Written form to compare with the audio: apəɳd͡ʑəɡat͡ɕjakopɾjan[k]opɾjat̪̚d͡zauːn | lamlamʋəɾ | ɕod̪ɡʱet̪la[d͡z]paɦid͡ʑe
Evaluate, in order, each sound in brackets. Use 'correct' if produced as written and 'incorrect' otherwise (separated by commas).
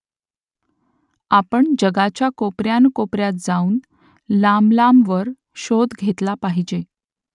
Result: correct, incorrect